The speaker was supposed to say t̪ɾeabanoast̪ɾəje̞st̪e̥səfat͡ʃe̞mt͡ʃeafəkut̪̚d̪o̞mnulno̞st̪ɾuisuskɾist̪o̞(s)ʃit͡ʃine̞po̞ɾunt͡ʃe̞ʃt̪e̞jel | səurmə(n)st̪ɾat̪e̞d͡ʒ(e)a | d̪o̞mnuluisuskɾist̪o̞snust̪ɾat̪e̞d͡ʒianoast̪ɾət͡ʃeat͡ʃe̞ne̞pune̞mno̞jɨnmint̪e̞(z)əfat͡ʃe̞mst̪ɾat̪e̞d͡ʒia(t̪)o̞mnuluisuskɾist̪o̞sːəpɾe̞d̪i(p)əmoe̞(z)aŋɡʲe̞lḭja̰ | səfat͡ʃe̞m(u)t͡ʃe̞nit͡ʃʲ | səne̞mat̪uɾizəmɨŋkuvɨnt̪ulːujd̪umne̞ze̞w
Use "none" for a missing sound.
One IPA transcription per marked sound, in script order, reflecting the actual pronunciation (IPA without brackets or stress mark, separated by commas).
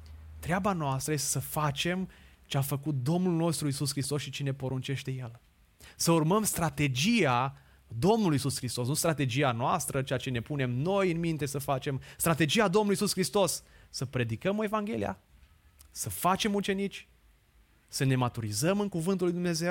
s, m, i, s, d̪, k, v, u